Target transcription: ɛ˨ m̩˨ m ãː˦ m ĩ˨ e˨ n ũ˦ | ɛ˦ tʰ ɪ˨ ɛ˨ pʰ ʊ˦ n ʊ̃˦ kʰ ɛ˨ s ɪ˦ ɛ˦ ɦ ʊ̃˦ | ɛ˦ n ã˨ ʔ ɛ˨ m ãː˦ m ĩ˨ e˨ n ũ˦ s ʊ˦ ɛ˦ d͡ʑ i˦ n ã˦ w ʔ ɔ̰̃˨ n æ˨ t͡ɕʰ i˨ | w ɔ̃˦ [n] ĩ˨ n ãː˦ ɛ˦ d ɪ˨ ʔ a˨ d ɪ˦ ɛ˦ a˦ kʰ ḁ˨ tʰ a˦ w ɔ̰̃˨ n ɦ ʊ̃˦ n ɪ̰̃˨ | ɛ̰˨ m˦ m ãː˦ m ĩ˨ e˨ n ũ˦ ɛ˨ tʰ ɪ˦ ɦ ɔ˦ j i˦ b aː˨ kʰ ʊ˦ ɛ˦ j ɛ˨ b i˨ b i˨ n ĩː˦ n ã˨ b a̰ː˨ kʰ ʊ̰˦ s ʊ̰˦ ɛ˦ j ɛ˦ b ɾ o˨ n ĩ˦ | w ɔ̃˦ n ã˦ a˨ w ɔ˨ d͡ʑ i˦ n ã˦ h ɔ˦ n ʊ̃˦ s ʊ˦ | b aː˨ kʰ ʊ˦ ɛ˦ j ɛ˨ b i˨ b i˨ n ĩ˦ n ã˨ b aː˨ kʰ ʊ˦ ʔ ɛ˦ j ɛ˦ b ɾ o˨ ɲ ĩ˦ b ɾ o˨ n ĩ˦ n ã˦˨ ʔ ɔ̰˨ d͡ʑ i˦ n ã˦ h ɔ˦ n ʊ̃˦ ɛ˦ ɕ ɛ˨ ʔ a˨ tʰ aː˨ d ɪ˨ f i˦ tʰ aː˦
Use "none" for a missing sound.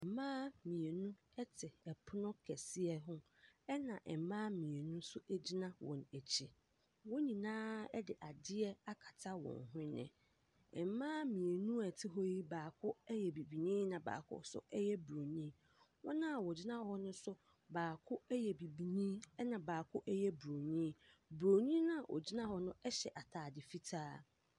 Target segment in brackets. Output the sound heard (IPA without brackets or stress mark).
ɲ